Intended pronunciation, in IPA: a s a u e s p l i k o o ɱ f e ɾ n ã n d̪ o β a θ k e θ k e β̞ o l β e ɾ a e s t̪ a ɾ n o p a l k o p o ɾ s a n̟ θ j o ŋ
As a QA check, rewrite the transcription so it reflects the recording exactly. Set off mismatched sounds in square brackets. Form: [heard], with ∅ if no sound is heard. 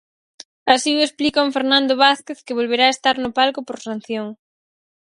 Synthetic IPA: a s [i] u e s p l i k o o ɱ f e ɾ n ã n d̪ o β a θ k e θ k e β̞ o l β e ɾ a e s t̪ a ɾ n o p a l k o p o ɾ s a n̟ θ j o ŋ